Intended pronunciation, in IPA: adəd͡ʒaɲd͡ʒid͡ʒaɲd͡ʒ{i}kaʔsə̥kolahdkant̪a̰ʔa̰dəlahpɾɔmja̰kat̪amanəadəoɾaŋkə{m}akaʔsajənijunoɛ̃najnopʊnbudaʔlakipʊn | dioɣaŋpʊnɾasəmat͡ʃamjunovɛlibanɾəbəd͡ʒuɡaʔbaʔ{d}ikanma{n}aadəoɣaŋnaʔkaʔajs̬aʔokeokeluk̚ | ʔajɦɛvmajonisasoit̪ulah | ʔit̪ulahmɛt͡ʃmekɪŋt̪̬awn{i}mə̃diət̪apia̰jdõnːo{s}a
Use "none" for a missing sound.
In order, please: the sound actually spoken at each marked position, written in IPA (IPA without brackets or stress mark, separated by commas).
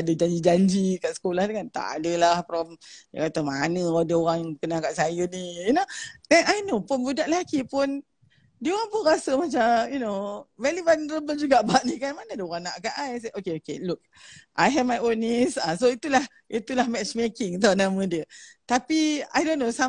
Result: i, n, n, n, a, s